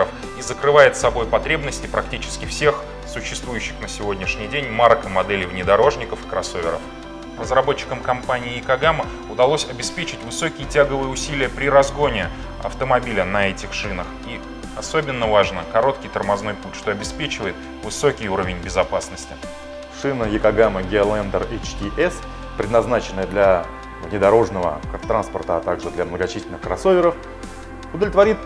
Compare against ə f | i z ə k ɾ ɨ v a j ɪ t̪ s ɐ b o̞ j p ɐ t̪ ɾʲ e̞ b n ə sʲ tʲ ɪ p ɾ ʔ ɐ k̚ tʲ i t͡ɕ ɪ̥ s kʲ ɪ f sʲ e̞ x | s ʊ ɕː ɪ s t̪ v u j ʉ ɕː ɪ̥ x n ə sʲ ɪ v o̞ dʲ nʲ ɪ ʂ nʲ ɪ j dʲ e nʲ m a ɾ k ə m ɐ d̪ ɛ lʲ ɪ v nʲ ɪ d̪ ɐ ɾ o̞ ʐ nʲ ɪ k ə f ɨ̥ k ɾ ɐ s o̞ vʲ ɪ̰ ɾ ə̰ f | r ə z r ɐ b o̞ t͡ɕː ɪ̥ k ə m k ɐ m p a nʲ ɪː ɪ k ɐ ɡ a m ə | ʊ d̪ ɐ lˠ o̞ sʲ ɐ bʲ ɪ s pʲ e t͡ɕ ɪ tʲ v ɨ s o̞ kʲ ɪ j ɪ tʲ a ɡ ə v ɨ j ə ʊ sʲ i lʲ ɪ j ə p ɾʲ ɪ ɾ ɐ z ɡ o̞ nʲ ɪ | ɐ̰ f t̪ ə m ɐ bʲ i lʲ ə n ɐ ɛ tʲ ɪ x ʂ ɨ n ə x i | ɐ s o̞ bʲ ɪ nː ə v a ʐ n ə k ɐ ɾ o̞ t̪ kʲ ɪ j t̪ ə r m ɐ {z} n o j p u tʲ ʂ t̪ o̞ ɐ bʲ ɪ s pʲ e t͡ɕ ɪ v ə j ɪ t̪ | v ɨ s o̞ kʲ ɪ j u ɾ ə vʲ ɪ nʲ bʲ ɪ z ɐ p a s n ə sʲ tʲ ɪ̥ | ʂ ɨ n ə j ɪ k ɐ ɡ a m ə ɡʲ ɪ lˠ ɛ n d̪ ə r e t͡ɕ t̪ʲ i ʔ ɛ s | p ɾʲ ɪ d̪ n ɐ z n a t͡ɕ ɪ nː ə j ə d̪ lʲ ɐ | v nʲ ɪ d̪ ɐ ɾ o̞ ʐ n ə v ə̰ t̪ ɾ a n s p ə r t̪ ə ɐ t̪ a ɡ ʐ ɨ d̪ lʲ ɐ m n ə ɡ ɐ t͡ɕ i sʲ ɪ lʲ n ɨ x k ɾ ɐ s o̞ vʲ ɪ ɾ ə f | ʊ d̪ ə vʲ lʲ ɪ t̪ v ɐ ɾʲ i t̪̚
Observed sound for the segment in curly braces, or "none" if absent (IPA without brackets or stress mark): z